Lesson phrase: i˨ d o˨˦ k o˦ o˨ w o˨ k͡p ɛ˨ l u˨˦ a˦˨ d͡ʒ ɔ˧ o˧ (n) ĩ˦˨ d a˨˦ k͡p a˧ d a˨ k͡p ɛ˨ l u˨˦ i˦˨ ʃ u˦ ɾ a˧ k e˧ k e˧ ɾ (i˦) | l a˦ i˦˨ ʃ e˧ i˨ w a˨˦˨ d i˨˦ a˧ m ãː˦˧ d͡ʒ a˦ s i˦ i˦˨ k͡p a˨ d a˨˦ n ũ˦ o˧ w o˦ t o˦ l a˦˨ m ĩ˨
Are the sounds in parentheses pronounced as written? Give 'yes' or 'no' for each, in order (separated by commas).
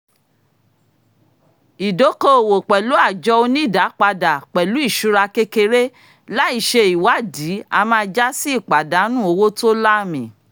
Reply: yes, no